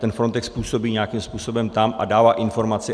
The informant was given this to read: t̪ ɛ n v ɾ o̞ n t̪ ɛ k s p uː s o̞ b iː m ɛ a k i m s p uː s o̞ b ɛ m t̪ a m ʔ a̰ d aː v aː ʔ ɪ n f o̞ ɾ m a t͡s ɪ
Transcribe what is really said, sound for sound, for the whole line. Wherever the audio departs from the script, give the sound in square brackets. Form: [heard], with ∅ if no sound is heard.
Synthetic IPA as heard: t̪ ɛ n [f] ɾ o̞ n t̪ ɛ k s p uː s o̞ b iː [ɲ] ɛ a k i m s p uː s o̞ b ɛ m t̪ a m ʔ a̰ d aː v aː ʔ ɪ n f o̞ ɾ m a t͡s ɪ